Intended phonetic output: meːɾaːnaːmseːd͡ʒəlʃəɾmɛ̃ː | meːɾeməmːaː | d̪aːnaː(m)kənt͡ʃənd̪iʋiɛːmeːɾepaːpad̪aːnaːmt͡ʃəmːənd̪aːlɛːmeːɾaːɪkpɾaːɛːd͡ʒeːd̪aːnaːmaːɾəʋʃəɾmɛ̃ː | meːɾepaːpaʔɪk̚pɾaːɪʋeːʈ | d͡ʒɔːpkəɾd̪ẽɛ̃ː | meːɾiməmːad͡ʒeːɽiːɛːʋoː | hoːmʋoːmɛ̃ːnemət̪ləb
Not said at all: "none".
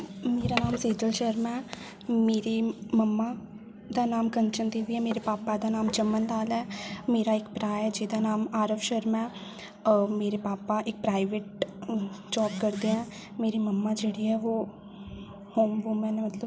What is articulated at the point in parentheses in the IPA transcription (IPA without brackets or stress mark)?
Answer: m